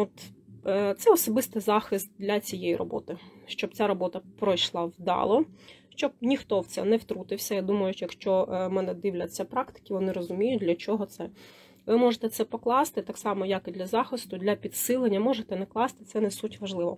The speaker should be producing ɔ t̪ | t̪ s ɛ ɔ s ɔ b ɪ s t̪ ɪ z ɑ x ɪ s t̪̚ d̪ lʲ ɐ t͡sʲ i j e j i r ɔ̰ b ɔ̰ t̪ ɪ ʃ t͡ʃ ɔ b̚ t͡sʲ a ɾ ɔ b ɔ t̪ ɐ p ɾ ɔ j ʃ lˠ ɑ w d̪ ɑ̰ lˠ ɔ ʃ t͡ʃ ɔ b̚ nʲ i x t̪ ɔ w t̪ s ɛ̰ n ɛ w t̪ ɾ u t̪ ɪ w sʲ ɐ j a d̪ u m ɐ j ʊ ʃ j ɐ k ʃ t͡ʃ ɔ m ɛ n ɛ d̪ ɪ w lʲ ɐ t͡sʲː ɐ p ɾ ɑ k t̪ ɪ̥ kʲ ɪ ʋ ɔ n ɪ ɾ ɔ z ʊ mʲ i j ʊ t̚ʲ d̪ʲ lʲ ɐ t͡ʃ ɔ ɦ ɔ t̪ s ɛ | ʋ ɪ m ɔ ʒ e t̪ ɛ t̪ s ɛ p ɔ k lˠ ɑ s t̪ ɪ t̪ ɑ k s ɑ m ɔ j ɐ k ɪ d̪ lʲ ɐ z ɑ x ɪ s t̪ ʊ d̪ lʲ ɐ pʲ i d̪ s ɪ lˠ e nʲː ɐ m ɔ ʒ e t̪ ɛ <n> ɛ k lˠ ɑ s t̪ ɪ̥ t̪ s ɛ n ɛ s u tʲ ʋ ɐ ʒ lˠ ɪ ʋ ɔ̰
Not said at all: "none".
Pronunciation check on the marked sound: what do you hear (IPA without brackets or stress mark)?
n